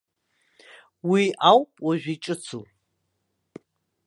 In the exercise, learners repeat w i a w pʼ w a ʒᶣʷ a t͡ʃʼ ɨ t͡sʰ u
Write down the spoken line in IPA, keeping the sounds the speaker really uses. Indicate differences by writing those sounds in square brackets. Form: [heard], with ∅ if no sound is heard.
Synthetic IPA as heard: w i a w pʼ w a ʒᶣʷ [i] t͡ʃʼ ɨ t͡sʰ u